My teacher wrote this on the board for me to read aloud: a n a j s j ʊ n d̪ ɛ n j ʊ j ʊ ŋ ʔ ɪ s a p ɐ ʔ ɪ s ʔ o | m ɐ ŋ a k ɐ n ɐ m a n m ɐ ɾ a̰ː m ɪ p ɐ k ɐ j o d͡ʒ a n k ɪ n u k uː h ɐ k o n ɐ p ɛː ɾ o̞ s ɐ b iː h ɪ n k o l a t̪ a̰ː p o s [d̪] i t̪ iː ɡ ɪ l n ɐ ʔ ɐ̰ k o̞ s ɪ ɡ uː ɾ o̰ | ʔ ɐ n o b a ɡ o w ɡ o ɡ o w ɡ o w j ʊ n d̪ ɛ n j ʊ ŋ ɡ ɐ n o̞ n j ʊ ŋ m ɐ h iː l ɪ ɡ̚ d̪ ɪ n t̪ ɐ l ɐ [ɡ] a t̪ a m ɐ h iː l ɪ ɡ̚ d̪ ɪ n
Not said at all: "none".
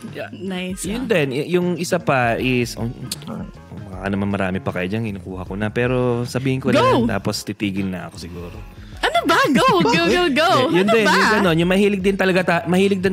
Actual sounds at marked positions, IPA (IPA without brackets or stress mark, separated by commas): t̪, ɡ